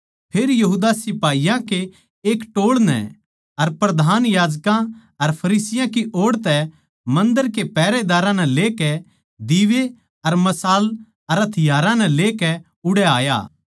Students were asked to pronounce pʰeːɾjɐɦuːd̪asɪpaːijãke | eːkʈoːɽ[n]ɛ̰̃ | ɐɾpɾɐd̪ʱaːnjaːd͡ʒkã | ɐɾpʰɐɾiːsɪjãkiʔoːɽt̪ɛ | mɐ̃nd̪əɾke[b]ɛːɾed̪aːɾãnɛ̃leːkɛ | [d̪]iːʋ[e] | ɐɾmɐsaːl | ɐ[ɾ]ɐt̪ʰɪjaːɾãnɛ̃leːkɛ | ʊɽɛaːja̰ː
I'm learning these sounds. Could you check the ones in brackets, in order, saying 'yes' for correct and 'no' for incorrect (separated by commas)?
yes, no, yes, yes, yes